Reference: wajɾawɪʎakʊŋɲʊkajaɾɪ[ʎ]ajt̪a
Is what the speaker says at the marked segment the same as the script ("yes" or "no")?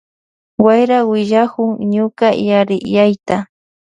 no